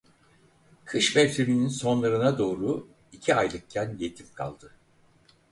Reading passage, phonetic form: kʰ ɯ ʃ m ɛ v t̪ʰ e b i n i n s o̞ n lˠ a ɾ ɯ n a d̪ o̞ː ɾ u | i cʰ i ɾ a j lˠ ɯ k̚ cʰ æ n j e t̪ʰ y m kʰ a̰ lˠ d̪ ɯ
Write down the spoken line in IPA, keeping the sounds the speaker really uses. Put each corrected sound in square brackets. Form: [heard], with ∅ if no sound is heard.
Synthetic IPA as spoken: kʰ ɯ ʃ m ɛ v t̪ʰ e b i n i n s o̞ n lˠ a ɾ ɯ n a d̪ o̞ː ɾ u | i cʰ i [∅] a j lˠ ɯ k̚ cʰ æ n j e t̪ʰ [i] m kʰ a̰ lˠ d̪ ɯ